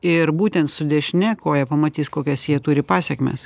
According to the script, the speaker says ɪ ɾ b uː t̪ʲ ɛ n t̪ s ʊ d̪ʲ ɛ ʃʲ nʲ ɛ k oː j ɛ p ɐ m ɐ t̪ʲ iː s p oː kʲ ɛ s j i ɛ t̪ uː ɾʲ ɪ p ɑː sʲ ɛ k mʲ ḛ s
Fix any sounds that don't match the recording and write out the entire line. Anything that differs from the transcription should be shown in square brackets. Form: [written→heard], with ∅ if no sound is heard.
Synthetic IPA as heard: ɪ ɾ b uː t̪ʲ ɛ n t̪ s ʊ d̪ʲ ɛ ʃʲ nʲ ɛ k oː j ɛ p ɐ m ɐ t̪ʲ iː s [p→k] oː kʲ ɛ s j i ɛ t̪ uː ɾʲ ɪ p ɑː sʲ ɛ k mʲ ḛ s

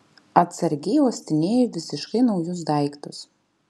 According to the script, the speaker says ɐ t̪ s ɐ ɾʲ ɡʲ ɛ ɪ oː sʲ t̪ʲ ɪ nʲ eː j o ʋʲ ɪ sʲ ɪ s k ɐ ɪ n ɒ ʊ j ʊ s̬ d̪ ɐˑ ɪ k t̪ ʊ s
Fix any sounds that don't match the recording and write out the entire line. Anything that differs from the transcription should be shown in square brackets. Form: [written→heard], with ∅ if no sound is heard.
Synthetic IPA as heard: ɐ t̪ s ɐ ɾʲ ɡʲ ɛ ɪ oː sʲ t̪ʲ ɪ nʲ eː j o ʋʲ ɪ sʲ ɪ [s→ʃ] k ɐ ɪ n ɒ ʊ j ʊ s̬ d̪ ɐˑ ɪ k t̪ ʊ s

